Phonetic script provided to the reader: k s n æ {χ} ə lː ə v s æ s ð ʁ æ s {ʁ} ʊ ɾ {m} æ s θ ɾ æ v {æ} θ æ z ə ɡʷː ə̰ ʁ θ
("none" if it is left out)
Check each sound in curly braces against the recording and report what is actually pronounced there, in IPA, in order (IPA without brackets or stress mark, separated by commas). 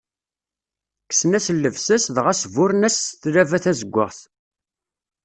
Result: s, v, n, æ